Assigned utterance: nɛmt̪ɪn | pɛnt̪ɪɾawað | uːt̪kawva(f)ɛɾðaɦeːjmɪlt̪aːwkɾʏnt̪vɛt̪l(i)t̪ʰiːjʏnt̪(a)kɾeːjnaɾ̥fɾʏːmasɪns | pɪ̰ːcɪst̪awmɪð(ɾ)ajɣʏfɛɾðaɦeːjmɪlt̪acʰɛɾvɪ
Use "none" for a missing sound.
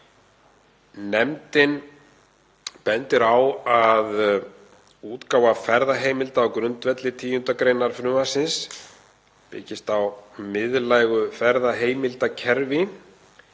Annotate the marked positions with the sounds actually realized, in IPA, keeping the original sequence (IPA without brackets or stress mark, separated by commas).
f, ɪ, a, l